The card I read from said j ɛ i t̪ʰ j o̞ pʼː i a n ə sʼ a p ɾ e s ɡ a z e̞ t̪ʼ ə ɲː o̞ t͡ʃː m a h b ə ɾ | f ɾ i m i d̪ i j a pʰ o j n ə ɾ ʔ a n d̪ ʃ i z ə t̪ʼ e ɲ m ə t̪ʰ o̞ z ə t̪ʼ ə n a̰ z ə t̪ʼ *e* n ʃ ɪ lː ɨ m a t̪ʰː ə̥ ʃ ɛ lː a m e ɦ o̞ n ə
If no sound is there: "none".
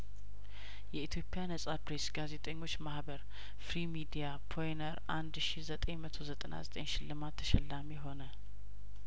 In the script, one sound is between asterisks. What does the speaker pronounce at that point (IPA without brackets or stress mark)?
e